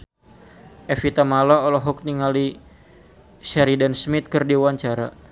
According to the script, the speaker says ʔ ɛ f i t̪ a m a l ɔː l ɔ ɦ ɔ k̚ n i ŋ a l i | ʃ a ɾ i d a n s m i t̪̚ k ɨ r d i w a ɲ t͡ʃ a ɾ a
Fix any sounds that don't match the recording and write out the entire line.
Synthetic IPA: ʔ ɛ f i t̪ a m a l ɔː l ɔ ɦ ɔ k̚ n i ŋ a l i | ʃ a ɾ i d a n s m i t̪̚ k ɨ r d i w a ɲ t͡ʃ a ɾ a